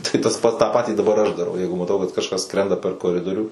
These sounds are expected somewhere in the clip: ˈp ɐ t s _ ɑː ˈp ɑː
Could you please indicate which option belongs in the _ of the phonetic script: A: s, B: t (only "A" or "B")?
B